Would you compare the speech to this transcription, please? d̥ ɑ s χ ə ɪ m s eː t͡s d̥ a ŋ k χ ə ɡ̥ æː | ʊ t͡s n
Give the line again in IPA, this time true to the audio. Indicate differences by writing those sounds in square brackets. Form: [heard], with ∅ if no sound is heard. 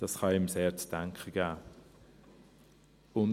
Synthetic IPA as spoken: d̥ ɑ s χ [ɑ] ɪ m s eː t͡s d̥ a ŋ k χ ə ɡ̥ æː | ʊ [∅] n